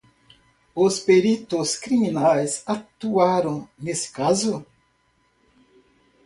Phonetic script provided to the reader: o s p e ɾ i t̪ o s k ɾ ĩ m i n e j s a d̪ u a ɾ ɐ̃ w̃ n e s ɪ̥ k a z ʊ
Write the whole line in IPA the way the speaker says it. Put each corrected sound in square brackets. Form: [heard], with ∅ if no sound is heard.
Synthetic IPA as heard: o s p e ɾ i t̪ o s k ɾ [i] m i n [a] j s a [t̪] u a ɾ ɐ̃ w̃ n e s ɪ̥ k a z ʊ

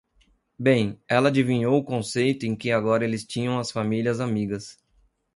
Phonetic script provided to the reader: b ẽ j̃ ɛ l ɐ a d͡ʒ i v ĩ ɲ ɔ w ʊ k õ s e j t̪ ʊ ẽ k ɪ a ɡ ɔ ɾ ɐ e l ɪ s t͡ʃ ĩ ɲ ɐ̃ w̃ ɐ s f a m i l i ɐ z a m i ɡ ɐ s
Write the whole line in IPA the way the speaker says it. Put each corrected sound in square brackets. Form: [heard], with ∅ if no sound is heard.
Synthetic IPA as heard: b ẽ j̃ ɛ l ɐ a d͡ʒ i v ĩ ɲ [o] w ʊ k õ s e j t̪ ʊ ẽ k ɪ a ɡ ɔ ɾ ɐ e l ɪ s t͡ʃ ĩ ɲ ɐ̃ w̃ ɐ s f a m i l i ɐ z a m i ɡ ɐ s

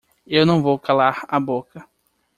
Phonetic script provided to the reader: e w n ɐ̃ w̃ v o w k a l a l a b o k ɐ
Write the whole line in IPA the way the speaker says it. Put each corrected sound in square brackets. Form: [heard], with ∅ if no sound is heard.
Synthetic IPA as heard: e w n ɐ̃ w̃ v o w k a l a [ɾ] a b o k ɐ

